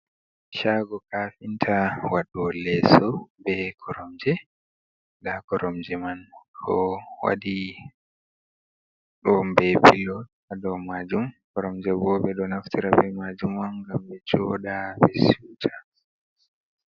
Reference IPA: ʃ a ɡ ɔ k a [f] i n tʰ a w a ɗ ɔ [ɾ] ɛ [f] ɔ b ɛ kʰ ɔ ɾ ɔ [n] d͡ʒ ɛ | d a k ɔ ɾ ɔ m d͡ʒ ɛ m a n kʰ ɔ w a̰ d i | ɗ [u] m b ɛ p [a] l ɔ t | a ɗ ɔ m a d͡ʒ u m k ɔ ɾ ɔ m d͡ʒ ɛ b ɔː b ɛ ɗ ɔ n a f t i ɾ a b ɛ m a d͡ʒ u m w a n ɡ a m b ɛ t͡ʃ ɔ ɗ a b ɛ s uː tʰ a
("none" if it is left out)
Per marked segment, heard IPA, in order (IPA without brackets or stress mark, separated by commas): f, l, s, m, ɔ, i